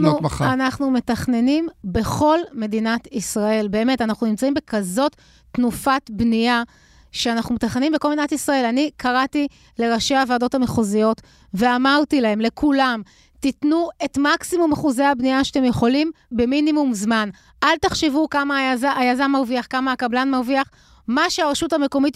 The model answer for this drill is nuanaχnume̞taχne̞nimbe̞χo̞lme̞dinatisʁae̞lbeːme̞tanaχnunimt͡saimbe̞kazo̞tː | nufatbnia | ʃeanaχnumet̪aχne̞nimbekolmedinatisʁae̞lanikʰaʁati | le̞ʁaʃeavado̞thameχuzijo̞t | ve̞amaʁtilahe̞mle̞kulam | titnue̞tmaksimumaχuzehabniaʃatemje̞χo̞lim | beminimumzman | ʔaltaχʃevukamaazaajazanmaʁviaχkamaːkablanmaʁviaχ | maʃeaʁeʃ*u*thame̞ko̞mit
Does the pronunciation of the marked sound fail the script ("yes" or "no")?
no